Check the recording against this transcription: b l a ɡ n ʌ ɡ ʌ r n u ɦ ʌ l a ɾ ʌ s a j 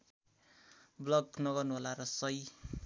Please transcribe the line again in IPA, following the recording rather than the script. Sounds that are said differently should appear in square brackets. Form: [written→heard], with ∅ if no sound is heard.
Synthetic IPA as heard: b l [a→ʌ] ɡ n ʌ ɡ ʌ r n u ɦ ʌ l a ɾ ʌ s [a→ʌ] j